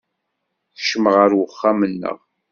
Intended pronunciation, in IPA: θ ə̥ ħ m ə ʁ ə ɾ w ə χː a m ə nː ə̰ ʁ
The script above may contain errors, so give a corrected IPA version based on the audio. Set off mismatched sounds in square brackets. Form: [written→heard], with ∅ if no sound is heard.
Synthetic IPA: θ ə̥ [ħ→ʃ] m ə ʁ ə ɾ w ə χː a m ə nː ə̰ ʁ